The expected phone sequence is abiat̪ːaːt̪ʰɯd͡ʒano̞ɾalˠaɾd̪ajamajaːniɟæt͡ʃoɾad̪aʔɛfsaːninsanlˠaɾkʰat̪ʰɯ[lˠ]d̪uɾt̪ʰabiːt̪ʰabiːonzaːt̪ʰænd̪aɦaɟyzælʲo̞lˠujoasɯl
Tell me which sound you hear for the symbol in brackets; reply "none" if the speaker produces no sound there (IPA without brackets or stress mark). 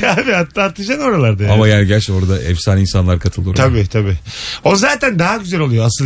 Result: lˠ